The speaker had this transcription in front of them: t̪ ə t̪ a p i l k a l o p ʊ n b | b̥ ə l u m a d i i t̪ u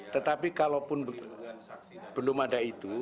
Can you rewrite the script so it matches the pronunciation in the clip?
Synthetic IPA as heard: t̪ ə t̪ a p i k a l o p ʊ n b | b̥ ə l ʊ m a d a i t̪ u